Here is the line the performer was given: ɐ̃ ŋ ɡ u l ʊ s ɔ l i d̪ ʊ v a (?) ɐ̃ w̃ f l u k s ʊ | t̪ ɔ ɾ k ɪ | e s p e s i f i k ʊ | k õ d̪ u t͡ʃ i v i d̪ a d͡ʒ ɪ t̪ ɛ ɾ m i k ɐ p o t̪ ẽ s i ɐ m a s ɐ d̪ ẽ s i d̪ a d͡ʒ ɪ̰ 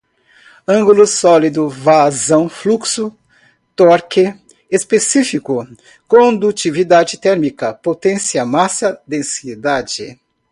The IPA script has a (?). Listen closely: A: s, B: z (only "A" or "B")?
B